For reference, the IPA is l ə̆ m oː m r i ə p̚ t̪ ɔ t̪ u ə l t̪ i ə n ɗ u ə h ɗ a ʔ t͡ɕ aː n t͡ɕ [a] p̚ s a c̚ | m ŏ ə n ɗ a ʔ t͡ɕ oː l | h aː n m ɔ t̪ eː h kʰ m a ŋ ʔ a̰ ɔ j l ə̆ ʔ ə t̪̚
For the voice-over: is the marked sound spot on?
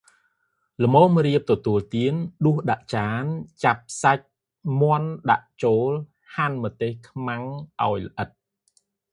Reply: yes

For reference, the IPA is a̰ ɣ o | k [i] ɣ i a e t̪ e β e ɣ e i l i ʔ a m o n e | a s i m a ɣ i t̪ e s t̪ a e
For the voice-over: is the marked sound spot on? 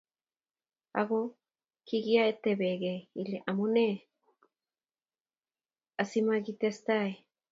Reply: yes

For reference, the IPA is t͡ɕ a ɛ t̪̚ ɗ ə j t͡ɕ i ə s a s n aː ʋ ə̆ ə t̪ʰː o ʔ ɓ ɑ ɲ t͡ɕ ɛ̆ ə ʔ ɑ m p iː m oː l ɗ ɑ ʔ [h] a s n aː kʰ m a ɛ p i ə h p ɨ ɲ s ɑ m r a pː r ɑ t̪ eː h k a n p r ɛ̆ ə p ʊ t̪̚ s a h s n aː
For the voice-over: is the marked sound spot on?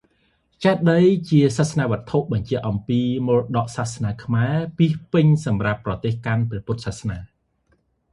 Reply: no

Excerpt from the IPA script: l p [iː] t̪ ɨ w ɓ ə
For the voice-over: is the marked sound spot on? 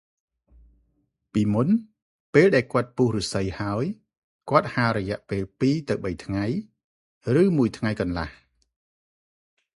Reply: yes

